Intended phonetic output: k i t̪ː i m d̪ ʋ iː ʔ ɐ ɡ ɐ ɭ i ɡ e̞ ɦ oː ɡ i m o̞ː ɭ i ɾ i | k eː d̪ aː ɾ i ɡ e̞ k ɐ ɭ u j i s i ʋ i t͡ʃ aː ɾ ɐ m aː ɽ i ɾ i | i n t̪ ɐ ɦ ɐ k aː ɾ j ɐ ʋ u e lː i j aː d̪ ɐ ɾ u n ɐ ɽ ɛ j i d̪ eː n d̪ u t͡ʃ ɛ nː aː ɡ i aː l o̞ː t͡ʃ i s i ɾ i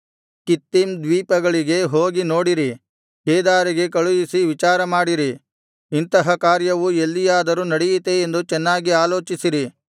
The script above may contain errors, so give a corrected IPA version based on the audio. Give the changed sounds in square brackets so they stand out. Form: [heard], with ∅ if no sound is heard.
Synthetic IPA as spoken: k i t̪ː i m d̪ ʋ iː [p] ɐ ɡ ɐ ɭ i ɡ e̞ ɦ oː ɡ i [n] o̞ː [ɽ] i ɾ i | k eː d̪ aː ɾ i ɡ e̞ k ɐ ɭ u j i s i ʋ i t͡ʃ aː ɾ ɐ m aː ɽ i ɾ i | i n t̪ ɐ ɦ ɐ k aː ɾ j ɐ ʋ u e lː i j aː d̪ ɐ ɾ u n ɐ ɽ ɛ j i [t̪] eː n d̪ u t͡ʃ ɛ nː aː ɡ i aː l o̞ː t͡ʃ i s i ɾ i